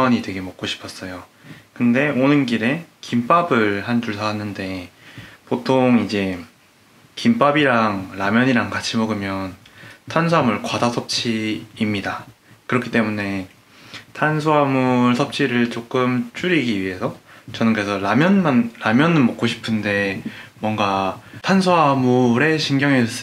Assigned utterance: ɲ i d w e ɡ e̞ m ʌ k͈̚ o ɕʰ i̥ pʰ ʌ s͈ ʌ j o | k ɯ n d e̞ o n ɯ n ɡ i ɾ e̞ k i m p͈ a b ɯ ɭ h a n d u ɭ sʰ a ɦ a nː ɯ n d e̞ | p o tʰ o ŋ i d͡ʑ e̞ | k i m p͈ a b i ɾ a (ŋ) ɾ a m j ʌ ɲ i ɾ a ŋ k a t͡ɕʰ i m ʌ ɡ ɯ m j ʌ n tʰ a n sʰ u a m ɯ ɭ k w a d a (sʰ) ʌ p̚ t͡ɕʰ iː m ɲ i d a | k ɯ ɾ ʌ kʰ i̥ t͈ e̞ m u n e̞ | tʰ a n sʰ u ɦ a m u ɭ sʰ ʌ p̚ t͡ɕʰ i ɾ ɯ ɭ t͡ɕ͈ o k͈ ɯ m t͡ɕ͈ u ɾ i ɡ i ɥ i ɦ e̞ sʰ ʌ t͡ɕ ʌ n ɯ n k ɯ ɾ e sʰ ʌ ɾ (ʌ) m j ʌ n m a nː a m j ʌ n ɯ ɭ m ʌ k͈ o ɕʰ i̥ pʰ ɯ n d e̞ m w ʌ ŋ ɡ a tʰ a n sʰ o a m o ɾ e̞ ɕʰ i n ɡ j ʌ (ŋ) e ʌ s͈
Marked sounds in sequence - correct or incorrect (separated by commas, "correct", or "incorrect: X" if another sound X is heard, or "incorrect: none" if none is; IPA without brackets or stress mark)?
correct, correct, incorrect: a, correct